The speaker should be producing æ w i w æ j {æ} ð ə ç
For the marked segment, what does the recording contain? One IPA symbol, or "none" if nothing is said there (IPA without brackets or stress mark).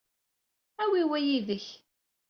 i